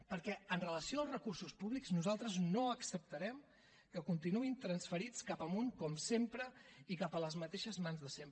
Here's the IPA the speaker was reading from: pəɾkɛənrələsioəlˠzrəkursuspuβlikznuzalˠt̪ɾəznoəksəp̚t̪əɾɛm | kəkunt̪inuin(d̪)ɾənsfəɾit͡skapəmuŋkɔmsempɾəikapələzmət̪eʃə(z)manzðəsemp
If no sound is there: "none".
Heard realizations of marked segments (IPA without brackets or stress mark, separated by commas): t̪, z